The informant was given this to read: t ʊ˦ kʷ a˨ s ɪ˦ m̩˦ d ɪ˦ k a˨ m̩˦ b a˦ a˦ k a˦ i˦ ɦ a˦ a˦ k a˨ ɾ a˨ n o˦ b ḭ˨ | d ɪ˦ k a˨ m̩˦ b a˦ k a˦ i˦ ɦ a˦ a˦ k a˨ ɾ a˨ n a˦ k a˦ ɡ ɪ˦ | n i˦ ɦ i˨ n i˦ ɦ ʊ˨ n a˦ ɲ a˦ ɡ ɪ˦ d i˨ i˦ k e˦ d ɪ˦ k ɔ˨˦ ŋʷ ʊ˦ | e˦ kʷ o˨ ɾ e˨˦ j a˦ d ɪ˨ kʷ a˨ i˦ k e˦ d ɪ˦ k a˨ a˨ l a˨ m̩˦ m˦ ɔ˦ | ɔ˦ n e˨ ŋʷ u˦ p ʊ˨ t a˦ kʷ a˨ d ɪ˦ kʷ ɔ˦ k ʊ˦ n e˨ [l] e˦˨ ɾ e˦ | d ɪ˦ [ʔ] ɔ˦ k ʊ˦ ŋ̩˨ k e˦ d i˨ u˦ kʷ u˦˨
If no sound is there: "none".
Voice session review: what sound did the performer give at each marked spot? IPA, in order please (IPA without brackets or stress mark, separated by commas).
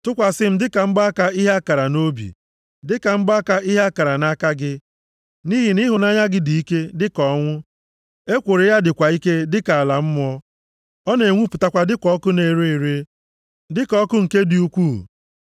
ɾ, k